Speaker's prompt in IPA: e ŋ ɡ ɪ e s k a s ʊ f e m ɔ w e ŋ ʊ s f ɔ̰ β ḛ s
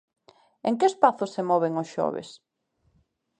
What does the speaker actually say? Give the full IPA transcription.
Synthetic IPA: e ŋ k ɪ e s p a θ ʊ s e m ɔ β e ŋ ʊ s ʃ ɔ̰ β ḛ s